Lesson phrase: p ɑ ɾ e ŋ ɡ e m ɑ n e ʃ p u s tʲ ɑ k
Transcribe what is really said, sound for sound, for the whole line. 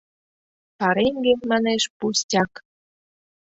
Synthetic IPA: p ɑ ɾ e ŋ ɡ e m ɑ n e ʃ p u s tʲ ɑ k